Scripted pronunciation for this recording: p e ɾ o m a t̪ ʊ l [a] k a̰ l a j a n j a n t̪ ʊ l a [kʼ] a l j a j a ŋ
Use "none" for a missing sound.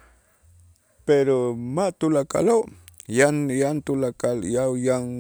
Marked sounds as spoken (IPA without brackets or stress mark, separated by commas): a, k